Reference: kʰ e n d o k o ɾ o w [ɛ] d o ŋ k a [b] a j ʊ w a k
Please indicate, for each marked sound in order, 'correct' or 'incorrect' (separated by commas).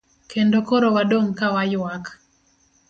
incorrect, incorrect